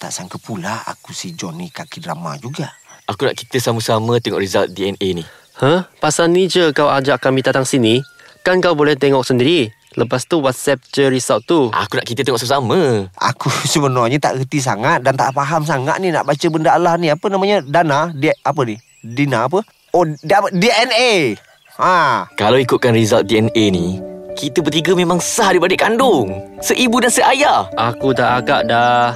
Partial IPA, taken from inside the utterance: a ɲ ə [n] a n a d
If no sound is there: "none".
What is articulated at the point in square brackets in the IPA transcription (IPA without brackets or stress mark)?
d